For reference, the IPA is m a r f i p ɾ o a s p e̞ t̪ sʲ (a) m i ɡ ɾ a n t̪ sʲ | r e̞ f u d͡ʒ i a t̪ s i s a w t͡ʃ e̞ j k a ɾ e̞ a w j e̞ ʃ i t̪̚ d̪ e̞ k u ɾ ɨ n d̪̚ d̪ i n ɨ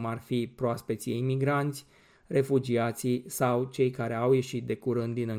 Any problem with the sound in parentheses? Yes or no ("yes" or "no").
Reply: yes